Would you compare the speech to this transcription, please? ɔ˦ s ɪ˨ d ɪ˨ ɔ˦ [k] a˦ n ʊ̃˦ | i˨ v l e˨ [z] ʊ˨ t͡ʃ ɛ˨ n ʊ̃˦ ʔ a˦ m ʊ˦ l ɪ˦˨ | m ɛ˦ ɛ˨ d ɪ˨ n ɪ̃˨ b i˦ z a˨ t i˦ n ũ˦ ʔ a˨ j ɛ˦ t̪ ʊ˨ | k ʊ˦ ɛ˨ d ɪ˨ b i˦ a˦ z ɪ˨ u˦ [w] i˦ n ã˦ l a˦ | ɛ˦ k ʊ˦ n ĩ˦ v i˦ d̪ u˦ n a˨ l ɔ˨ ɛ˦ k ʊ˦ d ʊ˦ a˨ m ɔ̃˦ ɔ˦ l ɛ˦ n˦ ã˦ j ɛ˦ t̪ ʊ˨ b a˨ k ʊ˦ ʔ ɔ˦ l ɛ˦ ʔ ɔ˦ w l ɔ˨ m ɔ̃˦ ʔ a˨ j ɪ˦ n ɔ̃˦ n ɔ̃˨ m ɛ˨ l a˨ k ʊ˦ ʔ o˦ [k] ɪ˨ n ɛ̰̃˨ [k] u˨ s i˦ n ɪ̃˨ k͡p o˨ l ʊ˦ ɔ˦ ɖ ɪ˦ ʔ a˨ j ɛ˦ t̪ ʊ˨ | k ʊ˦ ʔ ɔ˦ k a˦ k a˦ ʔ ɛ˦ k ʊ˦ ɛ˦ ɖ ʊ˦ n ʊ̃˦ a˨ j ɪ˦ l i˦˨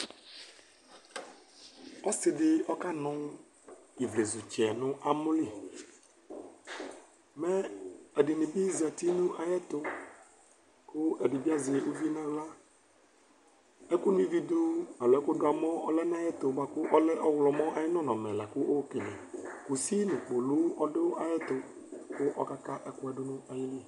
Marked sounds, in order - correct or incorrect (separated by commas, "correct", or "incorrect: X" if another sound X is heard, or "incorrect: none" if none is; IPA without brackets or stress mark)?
correct, correct, incorrect: v, correct, correct